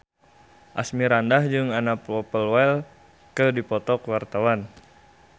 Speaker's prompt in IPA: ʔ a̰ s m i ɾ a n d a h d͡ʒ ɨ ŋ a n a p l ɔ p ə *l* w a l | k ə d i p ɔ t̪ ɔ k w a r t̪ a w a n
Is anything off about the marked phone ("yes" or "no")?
no